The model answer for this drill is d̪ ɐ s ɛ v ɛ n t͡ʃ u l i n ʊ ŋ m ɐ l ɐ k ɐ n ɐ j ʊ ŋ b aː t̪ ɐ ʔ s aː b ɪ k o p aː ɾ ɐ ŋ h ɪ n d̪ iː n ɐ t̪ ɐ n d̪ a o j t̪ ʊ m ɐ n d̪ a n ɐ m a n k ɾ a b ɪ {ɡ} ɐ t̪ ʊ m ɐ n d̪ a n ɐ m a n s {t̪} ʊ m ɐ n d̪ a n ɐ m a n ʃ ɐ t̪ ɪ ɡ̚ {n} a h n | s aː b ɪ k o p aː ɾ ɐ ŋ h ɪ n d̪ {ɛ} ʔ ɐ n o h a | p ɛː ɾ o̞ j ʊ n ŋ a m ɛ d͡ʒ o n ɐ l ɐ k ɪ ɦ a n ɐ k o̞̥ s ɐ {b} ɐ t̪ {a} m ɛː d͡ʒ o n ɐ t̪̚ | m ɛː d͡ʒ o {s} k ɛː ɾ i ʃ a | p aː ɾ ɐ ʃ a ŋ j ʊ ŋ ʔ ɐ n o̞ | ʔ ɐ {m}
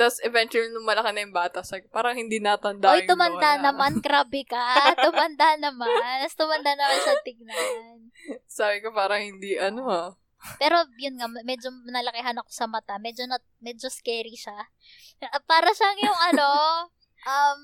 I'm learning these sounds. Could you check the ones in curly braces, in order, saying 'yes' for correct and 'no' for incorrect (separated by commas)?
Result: no, yes, yes, no, no, yes, yes, yes